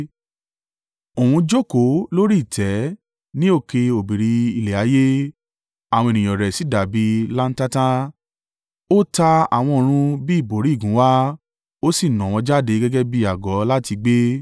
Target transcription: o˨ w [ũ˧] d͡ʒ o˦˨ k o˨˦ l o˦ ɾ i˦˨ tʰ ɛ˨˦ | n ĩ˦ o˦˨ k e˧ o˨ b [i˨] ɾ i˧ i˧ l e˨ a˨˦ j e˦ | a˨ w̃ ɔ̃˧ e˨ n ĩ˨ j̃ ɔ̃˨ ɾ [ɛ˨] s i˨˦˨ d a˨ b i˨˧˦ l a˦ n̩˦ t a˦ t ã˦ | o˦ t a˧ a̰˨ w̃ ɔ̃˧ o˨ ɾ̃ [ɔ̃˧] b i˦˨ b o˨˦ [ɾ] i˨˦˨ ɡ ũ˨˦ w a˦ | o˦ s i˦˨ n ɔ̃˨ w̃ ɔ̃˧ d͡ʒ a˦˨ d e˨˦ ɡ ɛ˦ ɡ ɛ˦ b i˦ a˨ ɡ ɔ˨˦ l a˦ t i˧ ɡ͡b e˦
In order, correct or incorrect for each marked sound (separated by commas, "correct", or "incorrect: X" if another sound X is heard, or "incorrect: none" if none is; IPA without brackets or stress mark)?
correct, correct, correct, incorrect: ũ˧, correct